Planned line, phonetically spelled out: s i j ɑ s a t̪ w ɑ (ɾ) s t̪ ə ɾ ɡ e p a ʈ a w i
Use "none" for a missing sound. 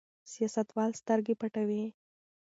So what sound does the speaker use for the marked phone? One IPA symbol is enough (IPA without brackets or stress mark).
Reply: l